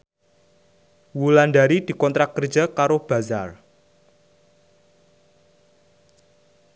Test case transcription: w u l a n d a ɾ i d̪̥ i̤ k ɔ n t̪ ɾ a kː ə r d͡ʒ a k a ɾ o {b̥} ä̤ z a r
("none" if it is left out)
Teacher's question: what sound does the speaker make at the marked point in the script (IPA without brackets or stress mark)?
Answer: b̥